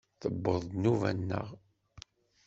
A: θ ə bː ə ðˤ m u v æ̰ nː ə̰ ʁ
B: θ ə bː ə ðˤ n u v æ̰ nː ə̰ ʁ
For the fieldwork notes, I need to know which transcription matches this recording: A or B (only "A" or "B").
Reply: B